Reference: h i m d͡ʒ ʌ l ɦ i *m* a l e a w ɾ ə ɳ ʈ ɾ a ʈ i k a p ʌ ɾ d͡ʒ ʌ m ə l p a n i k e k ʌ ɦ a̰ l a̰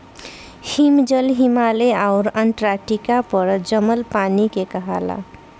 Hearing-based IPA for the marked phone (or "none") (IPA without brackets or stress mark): m